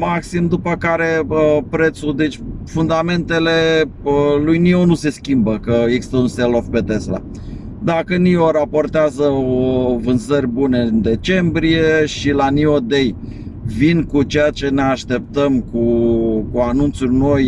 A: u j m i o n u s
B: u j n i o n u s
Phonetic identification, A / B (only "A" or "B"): B